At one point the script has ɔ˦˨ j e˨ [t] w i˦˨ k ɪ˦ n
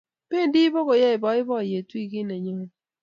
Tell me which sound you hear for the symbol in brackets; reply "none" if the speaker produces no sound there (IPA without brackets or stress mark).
t